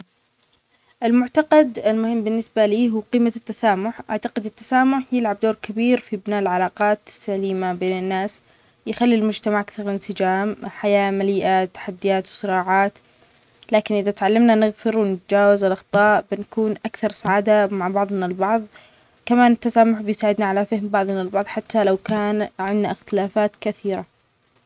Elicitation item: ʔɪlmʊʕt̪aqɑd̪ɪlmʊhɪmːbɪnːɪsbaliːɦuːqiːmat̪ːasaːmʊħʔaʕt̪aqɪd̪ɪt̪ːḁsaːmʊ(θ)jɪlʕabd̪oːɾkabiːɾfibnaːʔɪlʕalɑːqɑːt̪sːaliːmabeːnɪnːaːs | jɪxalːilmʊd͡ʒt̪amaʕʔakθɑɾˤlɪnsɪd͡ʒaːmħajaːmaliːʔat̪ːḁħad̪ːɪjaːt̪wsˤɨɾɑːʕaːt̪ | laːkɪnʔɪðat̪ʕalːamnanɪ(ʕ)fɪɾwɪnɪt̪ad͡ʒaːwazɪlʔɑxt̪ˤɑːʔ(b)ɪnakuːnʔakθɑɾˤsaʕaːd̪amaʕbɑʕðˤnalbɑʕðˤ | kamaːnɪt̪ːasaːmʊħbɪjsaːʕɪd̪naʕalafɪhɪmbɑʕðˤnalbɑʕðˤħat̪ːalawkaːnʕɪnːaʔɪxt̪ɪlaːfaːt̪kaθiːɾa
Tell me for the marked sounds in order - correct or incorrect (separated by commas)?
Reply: incorrect, incorrect, correct